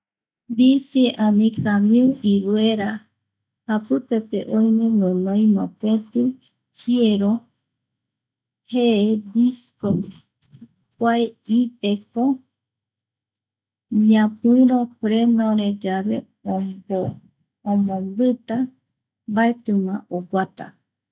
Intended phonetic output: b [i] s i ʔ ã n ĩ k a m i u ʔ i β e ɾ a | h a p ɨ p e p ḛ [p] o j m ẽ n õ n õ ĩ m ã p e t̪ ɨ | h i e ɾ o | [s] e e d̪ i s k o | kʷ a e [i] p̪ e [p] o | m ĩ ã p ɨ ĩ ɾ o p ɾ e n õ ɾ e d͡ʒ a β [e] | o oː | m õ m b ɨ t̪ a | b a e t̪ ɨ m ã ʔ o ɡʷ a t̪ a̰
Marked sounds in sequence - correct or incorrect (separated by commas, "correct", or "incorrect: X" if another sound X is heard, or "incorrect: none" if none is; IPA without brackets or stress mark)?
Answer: correct, incorrect: ʔ, incorrect: h, correct, incorrect: k, correct